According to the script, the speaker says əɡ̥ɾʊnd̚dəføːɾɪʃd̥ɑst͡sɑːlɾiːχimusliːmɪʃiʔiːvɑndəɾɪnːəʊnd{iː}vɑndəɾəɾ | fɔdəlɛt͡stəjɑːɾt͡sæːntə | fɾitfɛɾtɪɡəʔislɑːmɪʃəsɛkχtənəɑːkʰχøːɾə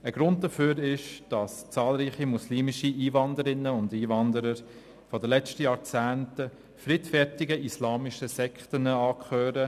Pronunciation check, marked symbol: correct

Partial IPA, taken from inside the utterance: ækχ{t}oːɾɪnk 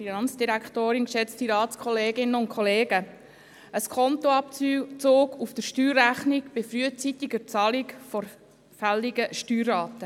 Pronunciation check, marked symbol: correct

